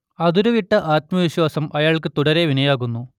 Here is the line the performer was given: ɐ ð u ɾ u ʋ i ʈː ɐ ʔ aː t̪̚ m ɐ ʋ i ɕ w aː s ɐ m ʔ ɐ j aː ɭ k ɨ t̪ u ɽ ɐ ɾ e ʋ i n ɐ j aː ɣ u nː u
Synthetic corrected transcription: ɐ ð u ɾ u ʋ i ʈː ɐ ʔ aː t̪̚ m ɐ ʋ i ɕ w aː s ɐ m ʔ ɐ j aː ɭ k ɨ t̪ u ɽ ɐ ɾ e ʋ i n ɐ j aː ɣ u nː u